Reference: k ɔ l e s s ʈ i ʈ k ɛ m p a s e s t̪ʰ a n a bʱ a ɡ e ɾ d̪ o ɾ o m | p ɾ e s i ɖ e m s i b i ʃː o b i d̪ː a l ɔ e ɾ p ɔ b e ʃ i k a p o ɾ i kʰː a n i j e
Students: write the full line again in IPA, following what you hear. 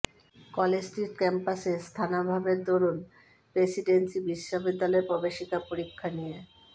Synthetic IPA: k ɔ l e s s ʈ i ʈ k ɛ m p a s e s t̪ʰ a n a bʱ a b e ɾ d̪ o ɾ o n | p ɾ e s i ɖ e n s i b i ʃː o b i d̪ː a l ɔ e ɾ p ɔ b e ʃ i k a p o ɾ i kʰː a n i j e